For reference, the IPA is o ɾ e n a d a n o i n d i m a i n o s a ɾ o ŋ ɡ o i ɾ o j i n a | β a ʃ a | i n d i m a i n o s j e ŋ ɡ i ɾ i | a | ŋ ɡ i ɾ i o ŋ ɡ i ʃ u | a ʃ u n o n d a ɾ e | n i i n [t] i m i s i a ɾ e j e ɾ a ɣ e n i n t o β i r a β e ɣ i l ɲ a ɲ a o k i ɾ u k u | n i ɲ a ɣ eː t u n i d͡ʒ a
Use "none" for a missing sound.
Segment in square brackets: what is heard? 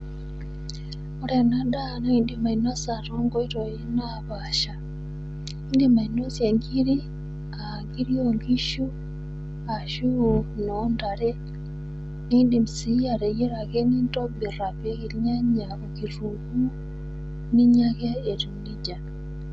d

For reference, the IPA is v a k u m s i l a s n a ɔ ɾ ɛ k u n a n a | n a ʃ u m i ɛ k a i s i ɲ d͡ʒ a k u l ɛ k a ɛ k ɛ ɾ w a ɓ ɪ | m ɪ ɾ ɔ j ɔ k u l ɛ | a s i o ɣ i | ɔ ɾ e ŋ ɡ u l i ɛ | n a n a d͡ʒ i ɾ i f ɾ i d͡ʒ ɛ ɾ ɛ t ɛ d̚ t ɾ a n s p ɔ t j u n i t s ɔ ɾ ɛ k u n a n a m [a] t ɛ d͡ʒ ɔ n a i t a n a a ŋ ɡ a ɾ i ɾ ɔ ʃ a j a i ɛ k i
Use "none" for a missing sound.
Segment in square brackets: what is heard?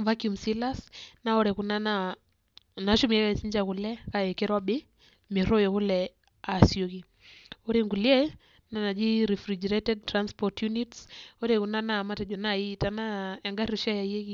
a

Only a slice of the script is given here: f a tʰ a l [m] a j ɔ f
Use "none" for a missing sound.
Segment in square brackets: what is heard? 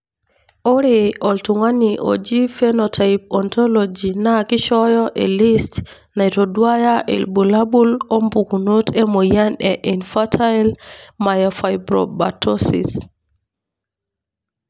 m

